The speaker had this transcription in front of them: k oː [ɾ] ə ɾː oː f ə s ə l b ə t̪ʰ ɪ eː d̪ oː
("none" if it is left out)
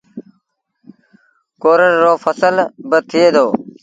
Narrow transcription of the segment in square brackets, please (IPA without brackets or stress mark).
ɾ